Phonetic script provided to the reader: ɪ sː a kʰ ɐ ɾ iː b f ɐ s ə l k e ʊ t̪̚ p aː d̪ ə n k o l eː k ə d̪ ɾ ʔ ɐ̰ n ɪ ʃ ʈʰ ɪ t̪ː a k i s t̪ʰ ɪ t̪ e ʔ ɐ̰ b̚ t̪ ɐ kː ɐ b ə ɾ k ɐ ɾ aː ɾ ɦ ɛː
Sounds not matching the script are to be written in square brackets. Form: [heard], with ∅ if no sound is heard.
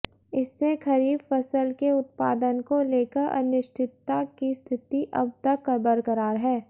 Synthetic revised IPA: ɪ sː [e] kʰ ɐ ɾ iː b f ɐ s ə l k e ʊ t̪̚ p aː d̪ ə n k o l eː k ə [∅] ɾ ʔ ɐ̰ n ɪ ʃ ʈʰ ɪ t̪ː a k i s t̪ʰ ɪ t̪ [i] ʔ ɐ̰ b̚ t̪ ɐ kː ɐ b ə ɾ k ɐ ɾ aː ɾ ɦ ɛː